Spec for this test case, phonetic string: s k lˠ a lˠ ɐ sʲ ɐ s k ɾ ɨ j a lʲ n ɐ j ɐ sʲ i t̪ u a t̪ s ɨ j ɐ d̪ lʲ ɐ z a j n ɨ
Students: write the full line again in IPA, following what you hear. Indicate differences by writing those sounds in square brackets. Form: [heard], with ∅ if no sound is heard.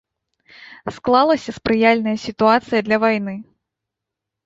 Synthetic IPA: s k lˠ a lˠ ɐ sʲ ɐ s [p] ɾ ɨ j a lʲ n ɐ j ɐ sʲ i t̪ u a t̪ s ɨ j ɐ d̪ lʲ ɐ [v] a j n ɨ

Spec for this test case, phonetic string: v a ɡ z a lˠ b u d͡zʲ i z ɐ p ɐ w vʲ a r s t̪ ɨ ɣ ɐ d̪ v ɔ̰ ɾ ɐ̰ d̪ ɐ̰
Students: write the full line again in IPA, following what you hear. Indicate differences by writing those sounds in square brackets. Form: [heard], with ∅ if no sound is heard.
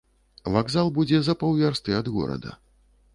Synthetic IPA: v a ɡ z a lˠ b u d͡zʲ [ɛ] z ɐ p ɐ w vʲ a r s t̪ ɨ [∅] ɐ d̪ [ɣ] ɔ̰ ɾ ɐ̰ d̪ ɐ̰

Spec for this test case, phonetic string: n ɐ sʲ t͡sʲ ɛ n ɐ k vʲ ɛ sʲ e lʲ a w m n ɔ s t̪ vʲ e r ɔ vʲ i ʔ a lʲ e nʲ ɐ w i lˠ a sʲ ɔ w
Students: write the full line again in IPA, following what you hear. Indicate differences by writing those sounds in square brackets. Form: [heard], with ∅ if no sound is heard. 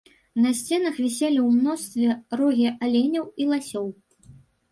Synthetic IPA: n ɐ sʲ t͡sʲ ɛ n ɐ [x] vʲ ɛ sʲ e lʲ [i] w m n ɔ s t̪ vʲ [ɛ] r ɔ [ɣʲ] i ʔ a lʲ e nʲ ɐ w i lˠ a sʲ ɔ w

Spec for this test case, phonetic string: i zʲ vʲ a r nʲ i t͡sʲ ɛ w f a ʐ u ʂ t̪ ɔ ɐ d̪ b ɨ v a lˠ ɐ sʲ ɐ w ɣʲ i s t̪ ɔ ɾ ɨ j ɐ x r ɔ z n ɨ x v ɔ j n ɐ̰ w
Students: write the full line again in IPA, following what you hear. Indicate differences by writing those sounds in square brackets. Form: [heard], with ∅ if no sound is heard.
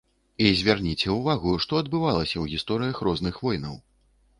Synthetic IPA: i zʲ vʲ a r nʲ i t͡sʲ ɛ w [v] a [ɣ] u ʂ t̪ ɔ ɐ d̪ b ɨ v a lˠ ɐ sʲ ɐ w ɣʲ i s t̪ ɔ ɾ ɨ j ɐ x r ɔ z n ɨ x v ɔ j n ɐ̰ w

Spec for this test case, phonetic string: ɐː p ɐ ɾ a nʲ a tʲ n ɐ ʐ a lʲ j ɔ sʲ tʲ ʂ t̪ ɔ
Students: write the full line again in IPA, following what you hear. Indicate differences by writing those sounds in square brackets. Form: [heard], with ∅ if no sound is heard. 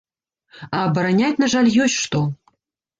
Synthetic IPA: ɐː [b] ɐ ɾ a nʲ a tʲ n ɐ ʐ a lʲ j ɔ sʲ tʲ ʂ t̪ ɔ

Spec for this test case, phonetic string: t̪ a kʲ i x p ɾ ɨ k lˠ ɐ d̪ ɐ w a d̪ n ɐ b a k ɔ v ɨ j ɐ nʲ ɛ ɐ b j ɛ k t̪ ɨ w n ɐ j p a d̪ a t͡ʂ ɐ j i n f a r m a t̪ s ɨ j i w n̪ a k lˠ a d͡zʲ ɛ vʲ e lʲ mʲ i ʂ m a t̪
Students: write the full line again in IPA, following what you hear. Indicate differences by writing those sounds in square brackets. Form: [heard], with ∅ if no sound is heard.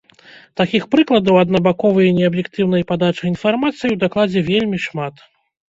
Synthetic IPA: t̪ a kʲ i x p ɾ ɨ k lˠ ɐ d̪ ɐ w [ɐ] d̪ n ɐ b a k ɔ v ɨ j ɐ nʲ ɛ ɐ b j ɛ k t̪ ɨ w n ɐ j p a d̪ a t͡ʂ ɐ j i n f a r m a t̪ s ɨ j i w [d̪] a k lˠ a d͡zʲ ɛ vʲ e lʲ mʲ i ʂ m a t̪

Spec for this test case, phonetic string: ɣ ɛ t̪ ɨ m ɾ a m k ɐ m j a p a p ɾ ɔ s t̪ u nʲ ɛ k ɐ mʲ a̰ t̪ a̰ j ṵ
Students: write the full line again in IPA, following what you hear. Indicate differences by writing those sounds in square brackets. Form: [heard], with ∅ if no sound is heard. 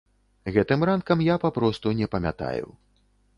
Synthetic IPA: ɣ ɛ t̪ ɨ m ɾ a [n] k ɐ m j a p a p ɾ ɔ s t̪ u nʲ ɛ [p] ɐ mʲ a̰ t̪ a̰ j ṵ

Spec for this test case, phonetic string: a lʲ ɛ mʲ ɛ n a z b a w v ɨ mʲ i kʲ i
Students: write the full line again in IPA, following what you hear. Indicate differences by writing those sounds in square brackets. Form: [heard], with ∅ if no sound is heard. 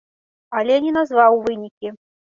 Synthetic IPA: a lʲ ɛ [nʲ] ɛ n a z [v] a w v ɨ [nʲ] i kʲ i

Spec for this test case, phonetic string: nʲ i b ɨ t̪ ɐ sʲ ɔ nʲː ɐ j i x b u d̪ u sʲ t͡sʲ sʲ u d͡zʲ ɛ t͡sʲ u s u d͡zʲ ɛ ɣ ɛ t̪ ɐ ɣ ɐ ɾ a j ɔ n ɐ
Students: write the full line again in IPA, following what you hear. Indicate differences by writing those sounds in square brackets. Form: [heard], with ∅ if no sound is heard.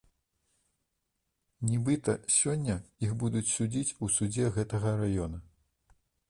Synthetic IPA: nʲ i b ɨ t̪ ɐ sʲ ɔ nʲː ɐ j i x b u d̪ u [∅] t͡sʲ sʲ u d͡zʲ [i] t͡sʲ u s u d͡zʲ ɛ ɣ ɛ t̪ ɐ ɣ ɐ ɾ a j ɔ n ɐ

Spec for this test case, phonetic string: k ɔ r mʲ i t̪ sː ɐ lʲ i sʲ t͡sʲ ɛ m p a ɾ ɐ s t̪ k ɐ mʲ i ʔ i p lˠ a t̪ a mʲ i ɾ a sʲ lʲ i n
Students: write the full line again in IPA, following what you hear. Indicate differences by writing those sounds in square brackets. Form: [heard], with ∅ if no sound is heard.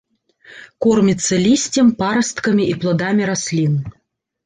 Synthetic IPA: k ɔ r mʲ i t̪ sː ɐ lʲ i sʲ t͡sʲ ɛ m p a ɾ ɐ s t̪ k ɐ mʲ i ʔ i p lˠ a [d̪] a mʲ i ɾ a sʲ lʲ i n

